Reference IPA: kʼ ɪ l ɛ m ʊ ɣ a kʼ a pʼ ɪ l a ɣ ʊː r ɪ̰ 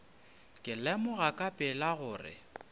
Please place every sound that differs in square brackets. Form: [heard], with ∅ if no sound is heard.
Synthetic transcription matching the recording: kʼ ɪ l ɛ m ʊ ɣ a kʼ a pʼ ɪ l a ɣ ʊː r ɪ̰